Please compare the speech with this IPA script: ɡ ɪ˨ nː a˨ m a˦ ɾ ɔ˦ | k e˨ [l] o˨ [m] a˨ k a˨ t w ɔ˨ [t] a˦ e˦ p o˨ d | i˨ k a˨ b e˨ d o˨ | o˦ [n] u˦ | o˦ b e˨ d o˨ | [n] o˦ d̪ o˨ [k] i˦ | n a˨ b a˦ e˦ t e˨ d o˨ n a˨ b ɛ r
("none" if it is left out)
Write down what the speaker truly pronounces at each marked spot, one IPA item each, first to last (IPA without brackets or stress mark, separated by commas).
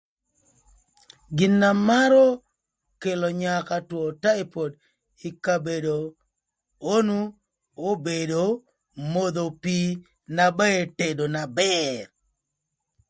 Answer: l, ɲ, t, n, m, p